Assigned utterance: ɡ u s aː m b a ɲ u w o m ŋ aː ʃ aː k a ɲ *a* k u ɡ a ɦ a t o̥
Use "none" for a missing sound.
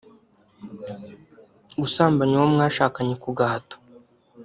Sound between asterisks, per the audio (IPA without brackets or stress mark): e